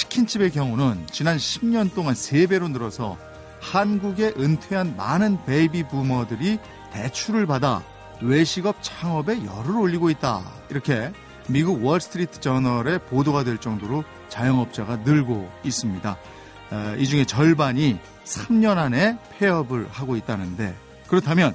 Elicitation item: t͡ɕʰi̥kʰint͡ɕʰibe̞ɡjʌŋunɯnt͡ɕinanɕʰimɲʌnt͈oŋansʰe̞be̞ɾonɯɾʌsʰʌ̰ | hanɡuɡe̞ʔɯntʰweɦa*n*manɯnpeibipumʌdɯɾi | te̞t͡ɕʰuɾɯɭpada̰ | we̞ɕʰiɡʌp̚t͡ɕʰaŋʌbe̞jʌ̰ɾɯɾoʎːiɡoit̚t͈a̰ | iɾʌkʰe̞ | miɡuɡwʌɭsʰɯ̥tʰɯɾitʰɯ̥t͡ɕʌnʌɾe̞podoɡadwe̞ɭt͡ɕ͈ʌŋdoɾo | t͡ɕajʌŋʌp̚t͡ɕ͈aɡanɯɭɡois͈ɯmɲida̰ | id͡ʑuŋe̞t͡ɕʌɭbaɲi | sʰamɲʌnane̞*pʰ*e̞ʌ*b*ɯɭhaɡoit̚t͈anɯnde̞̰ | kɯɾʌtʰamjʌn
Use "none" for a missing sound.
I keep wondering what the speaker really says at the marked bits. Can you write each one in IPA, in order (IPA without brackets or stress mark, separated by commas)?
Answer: n, pʰ, b